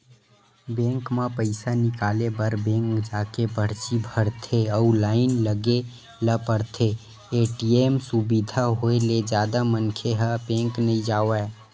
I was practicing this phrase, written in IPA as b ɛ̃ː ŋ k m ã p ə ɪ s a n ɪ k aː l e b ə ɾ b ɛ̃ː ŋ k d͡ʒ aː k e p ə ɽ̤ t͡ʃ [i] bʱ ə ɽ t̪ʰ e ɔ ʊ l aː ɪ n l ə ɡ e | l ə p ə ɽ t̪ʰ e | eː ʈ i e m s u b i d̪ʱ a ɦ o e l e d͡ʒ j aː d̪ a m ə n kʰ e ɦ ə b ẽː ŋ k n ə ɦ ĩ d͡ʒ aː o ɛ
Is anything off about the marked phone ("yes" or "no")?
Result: no